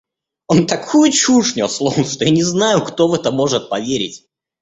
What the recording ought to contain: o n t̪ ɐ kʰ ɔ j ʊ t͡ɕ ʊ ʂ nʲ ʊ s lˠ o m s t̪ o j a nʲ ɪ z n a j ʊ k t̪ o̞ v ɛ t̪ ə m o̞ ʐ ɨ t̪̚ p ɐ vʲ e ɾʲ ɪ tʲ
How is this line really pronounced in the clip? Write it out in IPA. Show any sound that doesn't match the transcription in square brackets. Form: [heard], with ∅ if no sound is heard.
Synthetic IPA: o n t̪ ɐ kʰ [u] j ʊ t͡ɕ [u] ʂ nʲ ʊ s lˠ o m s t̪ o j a nʲ ɪ z n a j ʊ k t̪ o̞ v ɛ t̪ ə m o̞ ʐ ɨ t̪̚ p ɐ vʲ e ɾʲ ɪ tʲ